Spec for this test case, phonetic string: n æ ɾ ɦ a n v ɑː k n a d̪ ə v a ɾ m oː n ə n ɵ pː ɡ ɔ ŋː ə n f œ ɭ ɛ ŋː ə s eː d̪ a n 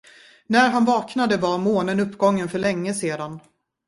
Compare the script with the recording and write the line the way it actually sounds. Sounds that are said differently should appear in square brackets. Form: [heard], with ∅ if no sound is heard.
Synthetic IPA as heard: n æ ɾ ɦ a n v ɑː k n a d̪ ə v a ɾ m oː n ə n ɵ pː ɡ ɔ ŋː ə n f œ ɭ ɛ ŋː ə s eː d̪ a n